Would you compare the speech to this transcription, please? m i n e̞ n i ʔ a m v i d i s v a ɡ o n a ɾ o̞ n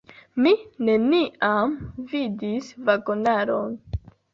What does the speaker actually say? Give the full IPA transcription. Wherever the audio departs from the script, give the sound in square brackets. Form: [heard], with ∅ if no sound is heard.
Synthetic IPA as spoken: m i n e̞ n i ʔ a m v i d i s v a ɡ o n a ɾ o̞ n